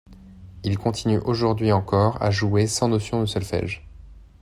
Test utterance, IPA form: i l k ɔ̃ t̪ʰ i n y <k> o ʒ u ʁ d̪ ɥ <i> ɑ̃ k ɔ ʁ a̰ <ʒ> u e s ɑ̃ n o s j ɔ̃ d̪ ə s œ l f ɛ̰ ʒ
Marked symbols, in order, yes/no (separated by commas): no, yes, yes